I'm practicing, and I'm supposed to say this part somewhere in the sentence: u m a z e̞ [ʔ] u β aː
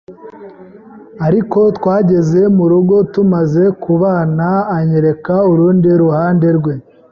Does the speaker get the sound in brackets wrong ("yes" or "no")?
yes